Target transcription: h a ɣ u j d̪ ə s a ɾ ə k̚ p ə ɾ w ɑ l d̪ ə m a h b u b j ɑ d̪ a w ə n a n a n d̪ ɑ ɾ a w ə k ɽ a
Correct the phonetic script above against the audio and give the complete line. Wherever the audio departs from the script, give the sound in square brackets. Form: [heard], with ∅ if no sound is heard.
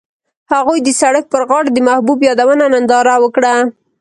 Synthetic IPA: h a ɣ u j d̪ ə s a [ɽ] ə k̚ p ə ɾ [ɣ] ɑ [ɽ] d̪ ə m a h b u b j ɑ d̪ a w ə n a n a n d̪ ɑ ɾ a w ə k ɽ a

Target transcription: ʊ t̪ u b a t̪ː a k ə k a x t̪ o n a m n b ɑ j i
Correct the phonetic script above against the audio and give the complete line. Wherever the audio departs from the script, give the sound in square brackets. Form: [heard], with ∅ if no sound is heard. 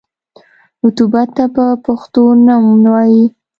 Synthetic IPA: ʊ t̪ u b a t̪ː a [p] ə [p] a x t̪ o n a m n [w] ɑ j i

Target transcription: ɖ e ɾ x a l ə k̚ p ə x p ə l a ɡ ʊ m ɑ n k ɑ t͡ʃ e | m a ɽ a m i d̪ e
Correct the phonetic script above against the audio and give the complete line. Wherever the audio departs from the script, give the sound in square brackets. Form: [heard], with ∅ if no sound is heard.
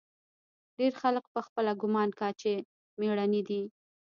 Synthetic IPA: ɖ e ɾ x a l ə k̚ p ə x p ə l a ɡ ʊ m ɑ n k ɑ t͡ʃ e | m [e] ɽ a [n] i d̪ [i]

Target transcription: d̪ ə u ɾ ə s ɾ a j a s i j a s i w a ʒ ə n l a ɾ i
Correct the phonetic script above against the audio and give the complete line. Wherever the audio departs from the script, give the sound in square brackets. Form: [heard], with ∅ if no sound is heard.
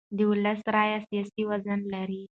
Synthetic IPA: d̪ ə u [l] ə s ɾ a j a s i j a s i w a [z] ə n l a ɾ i

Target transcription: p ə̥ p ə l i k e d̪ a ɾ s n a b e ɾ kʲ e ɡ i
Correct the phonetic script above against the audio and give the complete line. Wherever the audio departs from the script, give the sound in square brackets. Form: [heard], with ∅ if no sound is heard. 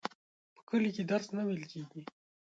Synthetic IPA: p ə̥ [k] ə l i k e d̪ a ɾ s n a [w] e [l] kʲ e ɡ i

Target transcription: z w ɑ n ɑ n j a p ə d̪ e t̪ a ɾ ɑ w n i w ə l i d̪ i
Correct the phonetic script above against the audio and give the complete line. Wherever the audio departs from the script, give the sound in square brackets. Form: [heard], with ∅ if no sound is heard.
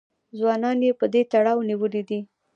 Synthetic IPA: z w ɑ n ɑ n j [e] p ə d̪ e t̪ a [ɽ] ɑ w n i w ə l i d̪ i

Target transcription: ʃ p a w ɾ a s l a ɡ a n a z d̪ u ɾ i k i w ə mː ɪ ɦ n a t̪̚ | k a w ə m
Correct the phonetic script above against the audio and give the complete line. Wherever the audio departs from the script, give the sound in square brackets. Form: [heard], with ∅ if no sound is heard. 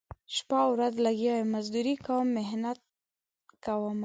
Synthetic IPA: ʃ p a w ɾ a [z] l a ɡ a [m] a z d̪ u ɾ i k [a] w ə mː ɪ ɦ n a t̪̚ | k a w ə m

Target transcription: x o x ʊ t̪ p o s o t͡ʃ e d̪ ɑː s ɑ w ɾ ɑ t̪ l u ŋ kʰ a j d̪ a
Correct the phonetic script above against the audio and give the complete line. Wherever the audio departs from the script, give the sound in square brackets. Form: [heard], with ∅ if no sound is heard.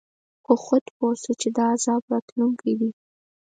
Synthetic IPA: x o x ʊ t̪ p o s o t͡ʃ e d̪ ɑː [z] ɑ [b] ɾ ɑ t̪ l u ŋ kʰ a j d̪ [i]

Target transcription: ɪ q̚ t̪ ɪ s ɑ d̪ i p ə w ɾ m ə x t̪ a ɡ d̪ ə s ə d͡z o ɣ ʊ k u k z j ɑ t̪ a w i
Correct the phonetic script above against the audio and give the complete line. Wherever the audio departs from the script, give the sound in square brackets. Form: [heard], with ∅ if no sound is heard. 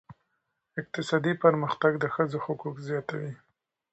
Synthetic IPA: ɪ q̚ t̪ ɪ s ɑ d̪ i p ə [∅] ɾ m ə x t̪ a ɡ d̪ ə [x] ə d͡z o [x] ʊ k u k z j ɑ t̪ a w i

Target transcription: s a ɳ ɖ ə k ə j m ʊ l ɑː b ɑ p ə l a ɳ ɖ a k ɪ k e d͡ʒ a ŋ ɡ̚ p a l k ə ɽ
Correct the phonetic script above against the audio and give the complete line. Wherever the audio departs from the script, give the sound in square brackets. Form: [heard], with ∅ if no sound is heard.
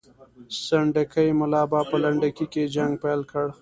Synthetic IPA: s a ɳ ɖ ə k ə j m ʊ l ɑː b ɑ p ə l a ɳ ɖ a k [i] k e d͡ʒ a ŋ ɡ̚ p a l k ə ɽ

